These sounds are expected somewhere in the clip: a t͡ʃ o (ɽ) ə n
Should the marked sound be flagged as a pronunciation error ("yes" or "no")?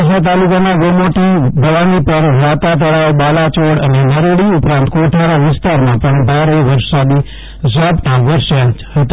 no